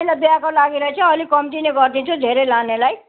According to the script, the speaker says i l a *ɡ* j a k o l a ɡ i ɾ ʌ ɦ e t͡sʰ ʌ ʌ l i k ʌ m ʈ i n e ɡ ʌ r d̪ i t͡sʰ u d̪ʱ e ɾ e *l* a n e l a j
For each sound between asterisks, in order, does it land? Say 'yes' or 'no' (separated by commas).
no, yes